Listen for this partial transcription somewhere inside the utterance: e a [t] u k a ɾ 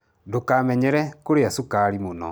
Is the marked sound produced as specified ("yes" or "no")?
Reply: no